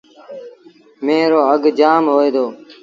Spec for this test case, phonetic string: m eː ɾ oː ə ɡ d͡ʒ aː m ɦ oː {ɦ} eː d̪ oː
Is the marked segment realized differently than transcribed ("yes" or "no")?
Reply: yes